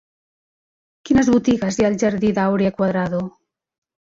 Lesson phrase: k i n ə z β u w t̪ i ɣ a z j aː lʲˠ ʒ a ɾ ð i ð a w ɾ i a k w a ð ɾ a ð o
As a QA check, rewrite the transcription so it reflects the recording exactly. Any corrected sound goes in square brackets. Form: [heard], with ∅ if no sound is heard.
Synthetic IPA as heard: k i n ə z β u [∅] t̪ i ɣ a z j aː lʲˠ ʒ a ɾ ð i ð a w ɾ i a k w a ð ɾ a ð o